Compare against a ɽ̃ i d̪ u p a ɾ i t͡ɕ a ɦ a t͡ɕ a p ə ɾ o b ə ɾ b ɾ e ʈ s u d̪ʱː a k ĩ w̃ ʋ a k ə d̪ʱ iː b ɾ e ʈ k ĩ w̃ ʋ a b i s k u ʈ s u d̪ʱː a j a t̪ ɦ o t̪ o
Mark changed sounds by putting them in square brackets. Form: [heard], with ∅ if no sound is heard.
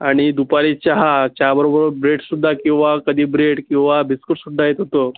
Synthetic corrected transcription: a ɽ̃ i d̪ u p a ɾ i t͡ɕ a ɦ a t͡ɕ a [b] ə ɾ o b ə ɾ b ɾ e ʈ s u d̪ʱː a k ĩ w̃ ʋ a k ə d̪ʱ iː b ɾ e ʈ k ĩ w̃ ʋ a b i s k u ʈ s u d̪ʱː a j [e] t̪ ɦ o t̪ o